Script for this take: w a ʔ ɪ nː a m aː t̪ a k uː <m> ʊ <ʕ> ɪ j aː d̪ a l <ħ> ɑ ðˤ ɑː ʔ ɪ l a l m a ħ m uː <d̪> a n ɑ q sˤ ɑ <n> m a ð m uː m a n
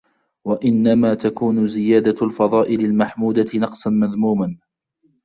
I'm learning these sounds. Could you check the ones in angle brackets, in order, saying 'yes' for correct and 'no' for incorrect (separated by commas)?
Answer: no, no, no, yes, yes